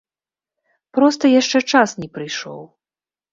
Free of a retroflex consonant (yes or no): no